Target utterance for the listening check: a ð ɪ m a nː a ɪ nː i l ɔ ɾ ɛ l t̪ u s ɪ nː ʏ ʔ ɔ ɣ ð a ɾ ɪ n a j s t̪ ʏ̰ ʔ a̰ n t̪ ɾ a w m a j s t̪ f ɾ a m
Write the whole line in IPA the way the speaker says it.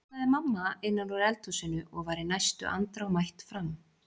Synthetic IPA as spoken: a ð ɪ m a mː a ɪ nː a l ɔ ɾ ɛ l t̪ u s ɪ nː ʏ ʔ ɔ ɣ v a ɾ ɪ n a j s t̪ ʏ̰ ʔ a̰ n t̪ ɾ a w m a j h t̪ f ɾ a m